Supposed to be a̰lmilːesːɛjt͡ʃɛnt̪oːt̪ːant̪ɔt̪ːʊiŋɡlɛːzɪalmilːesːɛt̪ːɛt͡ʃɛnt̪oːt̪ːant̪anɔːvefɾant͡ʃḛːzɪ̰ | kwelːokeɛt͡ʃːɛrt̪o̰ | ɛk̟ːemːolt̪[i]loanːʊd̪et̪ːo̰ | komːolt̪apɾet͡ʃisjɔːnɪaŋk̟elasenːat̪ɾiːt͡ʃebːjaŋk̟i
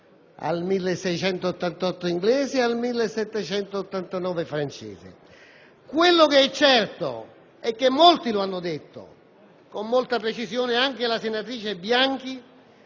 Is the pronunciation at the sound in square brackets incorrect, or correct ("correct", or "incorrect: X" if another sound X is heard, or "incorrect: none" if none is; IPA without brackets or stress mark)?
correct